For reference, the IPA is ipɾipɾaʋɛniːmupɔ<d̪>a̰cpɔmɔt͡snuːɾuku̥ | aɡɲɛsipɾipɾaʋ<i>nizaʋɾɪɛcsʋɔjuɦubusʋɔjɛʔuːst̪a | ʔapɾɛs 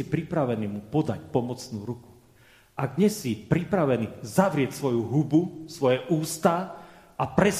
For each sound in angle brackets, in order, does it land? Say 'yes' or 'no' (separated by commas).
yes, no